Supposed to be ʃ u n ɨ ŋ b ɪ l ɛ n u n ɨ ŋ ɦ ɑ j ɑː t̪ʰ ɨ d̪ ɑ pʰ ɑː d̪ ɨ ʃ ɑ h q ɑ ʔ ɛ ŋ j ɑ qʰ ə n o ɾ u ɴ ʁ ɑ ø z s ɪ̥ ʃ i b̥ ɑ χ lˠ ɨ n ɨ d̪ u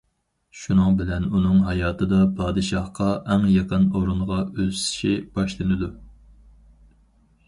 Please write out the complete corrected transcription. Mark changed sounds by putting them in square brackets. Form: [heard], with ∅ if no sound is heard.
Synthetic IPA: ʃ u n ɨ ŋ b ɪ l ɛ n u n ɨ ŋ ɦ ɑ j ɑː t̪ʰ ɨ d̪ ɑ pʰ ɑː d̪ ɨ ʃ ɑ h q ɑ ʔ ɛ ŋ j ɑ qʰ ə n o ɾ u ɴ ʁ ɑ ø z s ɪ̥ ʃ i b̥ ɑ [ʃ] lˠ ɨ n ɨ d̪ u